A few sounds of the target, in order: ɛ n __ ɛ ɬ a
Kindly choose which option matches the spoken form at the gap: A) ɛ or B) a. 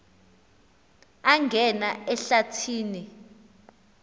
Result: B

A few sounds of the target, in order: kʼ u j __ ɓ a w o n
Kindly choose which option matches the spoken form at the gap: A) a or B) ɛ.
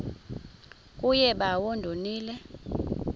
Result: B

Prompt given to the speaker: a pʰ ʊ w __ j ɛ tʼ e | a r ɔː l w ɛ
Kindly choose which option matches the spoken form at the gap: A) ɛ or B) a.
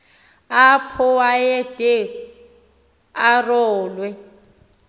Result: B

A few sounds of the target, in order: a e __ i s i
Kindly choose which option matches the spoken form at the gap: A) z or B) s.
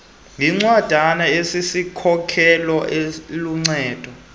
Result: B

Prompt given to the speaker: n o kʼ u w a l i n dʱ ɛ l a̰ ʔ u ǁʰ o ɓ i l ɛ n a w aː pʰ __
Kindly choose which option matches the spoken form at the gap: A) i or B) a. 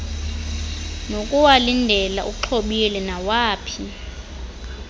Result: A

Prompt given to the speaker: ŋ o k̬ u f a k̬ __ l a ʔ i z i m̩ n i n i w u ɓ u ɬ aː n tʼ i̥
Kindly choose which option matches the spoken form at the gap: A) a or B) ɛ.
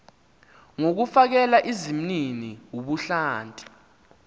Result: B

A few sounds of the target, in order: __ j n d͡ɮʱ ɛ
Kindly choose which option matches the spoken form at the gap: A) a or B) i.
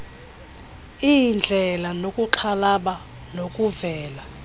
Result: B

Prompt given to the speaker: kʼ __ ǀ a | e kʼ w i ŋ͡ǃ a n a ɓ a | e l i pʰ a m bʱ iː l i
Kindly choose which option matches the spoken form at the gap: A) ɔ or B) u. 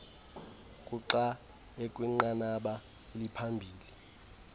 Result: B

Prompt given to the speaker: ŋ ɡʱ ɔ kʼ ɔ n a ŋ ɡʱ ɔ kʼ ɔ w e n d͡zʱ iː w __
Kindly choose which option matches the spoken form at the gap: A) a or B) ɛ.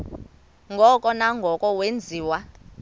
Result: A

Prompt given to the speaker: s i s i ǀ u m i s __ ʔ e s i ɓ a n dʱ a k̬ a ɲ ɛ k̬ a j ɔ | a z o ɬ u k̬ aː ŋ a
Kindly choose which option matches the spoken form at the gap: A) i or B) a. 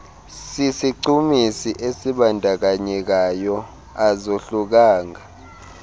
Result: A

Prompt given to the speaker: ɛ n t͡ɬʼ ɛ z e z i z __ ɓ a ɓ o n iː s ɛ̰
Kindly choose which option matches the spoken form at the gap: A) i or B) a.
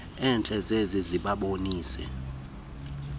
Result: A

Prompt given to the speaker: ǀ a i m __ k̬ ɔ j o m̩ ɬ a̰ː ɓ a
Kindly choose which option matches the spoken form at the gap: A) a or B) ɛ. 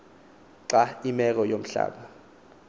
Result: B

